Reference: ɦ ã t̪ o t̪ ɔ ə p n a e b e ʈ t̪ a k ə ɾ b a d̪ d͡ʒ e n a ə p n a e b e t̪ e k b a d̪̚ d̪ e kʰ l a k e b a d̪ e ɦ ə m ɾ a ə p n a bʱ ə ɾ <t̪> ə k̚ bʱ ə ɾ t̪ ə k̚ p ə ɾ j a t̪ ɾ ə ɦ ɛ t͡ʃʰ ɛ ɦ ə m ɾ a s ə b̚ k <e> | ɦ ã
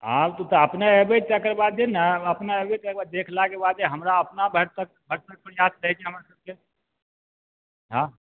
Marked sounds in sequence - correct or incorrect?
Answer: correct, correct

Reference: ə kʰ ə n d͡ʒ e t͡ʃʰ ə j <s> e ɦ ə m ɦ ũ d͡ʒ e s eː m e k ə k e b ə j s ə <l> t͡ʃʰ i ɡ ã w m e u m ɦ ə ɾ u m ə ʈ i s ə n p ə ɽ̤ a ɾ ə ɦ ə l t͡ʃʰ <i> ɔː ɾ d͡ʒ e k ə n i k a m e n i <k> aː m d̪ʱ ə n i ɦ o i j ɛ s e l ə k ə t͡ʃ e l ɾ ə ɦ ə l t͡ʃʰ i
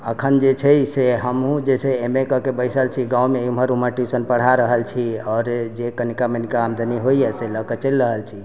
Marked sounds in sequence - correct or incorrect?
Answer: correct, correct, correct, correct

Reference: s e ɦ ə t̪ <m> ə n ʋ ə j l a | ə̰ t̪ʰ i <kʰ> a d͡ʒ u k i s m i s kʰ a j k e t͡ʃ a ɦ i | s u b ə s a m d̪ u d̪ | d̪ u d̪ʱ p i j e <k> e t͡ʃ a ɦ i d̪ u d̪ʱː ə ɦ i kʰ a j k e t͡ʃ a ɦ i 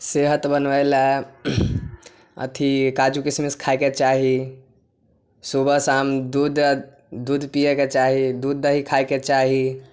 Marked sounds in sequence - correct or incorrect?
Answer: incorrect, incorrect, correct

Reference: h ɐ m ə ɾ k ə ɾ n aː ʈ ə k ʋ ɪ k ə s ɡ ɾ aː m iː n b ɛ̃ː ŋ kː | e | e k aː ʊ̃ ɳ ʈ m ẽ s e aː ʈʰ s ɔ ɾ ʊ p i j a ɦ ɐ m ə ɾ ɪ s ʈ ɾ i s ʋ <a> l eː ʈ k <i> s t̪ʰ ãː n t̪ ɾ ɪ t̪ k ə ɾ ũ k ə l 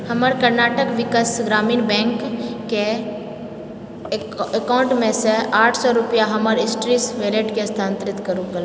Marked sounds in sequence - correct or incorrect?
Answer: incorrect, incorrect

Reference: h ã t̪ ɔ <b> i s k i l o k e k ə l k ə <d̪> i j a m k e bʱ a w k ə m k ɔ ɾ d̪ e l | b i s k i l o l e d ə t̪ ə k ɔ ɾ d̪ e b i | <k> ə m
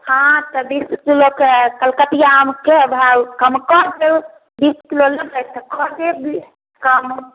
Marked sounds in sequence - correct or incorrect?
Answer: correct, incorrect, correct

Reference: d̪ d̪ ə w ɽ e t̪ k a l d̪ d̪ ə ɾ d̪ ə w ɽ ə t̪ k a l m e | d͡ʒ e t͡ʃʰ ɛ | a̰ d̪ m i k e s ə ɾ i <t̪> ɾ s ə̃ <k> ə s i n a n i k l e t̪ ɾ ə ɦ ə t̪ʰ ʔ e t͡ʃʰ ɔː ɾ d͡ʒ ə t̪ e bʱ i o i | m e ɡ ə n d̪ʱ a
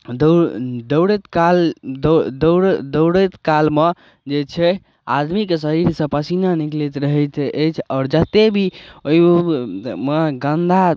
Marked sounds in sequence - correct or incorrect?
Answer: incorrect, incorrect

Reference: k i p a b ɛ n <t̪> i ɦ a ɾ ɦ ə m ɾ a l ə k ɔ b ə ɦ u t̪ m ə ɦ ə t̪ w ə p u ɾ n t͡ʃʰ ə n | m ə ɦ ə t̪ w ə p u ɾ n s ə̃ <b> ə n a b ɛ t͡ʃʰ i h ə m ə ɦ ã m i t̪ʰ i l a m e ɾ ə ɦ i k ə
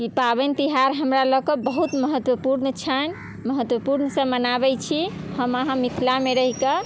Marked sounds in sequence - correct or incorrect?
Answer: correct, incorrect

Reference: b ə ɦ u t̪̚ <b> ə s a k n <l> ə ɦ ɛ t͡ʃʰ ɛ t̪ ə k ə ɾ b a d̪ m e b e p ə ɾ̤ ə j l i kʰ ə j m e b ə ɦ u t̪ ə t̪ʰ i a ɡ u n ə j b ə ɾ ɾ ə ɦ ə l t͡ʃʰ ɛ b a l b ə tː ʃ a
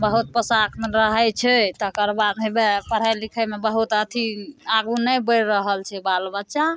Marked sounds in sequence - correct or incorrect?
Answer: incorrect, incorrect

